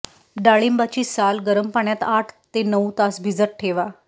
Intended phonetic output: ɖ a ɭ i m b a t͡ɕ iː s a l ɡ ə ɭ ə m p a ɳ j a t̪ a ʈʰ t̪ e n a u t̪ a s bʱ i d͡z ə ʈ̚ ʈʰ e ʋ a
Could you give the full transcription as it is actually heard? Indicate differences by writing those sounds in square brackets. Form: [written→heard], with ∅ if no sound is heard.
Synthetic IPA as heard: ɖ a ɭ i m b a t͡ɕ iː s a l ɡ ə [ɭ→ɾ] ə m p a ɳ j a t̪ a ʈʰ t̪ e n [a→ə] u t̪ a s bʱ i d͡z ə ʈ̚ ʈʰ e ʋ a